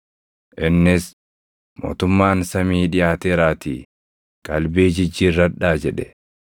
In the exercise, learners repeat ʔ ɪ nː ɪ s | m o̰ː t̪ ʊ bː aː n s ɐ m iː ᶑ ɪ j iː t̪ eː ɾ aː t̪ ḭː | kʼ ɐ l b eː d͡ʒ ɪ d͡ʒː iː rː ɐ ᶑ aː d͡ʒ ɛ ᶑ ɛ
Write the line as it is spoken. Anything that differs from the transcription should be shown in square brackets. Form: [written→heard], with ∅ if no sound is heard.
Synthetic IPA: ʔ ɪ nː ɪ s | m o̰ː t̪ ʊ [bː→mː] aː n s ɐ m iː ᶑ ɪ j [iː→aː] t̪ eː ɾ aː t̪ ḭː | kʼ ɐ l b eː d͡ʒ ɪ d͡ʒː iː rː ɐ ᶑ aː d͡ʒ ɛ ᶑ ɛ